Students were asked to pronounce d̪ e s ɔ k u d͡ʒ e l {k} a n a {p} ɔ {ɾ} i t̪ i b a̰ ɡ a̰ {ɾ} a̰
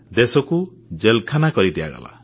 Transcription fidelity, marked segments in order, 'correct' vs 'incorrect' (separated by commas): incorrect, incorrect, correct, incorrect